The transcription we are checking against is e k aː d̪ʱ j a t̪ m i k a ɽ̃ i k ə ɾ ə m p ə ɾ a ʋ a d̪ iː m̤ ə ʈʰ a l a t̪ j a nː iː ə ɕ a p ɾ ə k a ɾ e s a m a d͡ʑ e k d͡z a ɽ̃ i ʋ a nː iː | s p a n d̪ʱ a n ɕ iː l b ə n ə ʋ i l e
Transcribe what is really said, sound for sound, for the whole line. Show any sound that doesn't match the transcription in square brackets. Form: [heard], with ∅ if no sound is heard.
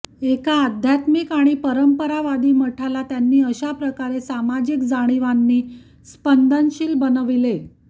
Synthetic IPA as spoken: e k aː d̪ʱ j a t̪ m i k a ɽ̃ i [p] ə ɾ ə m p ə ɾ a ʋ a d̪ iː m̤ ə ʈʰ a l a t̪ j a nː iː ə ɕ a p ɾ ə k a ɾ e s a m a d͡ʑ [i] k d͡z a ɽ̃ i ʋ a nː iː | s p [ə] n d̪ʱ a n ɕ iː l b ə n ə ʋ i l e